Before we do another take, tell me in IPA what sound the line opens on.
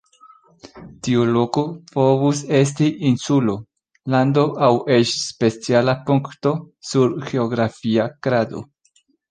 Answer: t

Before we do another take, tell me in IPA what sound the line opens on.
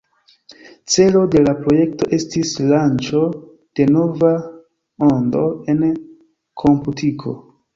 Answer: t͡s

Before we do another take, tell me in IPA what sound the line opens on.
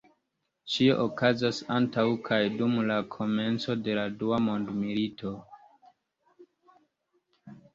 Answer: t͡ʃ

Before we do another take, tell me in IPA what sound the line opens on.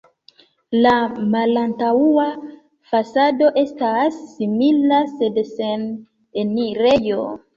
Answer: l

